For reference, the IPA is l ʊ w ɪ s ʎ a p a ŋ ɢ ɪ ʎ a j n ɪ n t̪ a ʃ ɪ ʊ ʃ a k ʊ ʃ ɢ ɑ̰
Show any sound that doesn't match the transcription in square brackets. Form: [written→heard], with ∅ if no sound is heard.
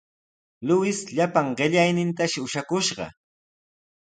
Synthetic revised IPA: l ʊ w ɪ s ʎ a p a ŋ ɢ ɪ ʎ a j n ɪ n t̪ a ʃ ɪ ʊ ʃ a k ʊ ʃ ɢ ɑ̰